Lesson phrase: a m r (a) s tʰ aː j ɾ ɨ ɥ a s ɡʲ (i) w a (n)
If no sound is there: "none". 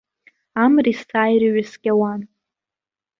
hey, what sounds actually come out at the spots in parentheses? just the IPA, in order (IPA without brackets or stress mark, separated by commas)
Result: i, a, n